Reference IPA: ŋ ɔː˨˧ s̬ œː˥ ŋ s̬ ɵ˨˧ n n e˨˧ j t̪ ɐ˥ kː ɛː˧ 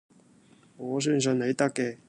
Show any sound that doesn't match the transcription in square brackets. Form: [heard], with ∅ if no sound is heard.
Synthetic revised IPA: ŋ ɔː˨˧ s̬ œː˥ [n] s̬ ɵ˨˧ n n e˨˧ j t̪ ɐ˥ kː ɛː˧